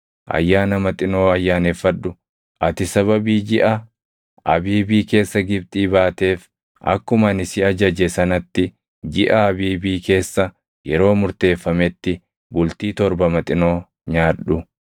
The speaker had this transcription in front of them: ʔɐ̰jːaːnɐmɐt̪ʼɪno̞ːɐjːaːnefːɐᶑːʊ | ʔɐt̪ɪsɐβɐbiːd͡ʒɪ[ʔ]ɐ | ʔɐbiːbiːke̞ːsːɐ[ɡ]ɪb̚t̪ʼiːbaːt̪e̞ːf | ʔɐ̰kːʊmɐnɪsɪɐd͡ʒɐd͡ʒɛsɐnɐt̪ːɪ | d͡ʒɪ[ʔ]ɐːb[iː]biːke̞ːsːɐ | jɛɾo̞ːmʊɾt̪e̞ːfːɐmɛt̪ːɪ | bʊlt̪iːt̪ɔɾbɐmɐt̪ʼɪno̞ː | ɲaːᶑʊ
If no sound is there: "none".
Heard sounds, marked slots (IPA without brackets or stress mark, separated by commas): ʔ, ɡ, ʔ, iː